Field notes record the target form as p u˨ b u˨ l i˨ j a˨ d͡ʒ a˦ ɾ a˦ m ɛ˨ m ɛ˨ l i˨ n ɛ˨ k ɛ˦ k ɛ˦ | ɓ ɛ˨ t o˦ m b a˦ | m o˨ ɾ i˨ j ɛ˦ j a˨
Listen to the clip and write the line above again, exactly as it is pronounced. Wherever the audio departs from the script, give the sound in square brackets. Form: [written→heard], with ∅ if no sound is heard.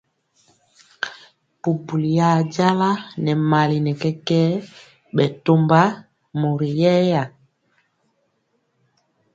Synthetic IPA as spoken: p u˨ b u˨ l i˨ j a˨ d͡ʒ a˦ [ɾ→l] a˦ [m→n] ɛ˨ m [ɛ˨→a˨] l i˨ n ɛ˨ k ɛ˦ k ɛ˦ | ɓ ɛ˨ t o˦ m b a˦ | m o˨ ɾ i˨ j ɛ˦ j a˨